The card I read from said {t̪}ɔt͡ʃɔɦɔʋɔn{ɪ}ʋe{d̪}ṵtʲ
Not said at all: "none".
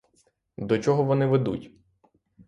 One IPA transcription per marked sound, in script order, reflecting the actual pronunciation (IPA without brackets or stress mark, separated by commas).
d̪, ɪ, d̪